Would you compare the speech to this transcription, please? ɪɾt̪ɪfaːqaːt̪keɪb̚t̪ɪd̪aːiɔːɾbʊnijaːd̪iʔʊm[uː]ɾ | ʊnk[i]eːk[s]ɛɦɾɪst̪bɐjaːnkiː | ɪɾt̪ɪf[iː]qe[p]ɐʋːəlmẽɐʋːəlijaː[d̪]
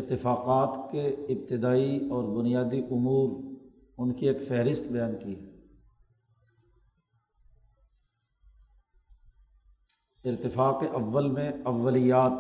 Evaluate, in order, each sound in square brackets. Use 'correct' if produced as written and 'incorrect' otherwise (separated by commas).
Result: correct, correct, incorrect, incorrect, incorrect, incorrect